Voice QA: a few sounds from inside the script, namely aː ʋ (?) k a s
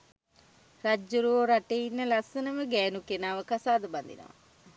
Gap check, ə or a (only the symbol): ə